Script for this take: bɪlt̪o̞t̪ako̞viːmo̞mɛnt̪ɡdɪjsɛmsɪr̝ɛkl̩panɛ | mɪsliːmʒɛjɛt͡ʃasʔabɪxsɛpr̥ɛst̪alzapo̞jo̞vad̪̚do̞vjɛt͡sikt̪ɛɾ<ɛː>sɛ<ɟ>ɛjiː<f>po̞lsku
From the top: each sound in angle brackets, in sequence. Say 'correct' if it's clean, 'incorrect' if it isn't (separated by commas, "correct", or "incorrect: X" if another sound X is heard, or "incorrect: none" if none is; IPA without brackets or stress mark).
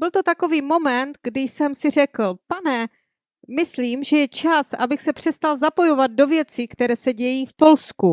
correct, correct, correct